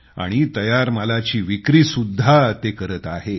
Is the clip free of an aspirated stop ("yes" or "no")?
yes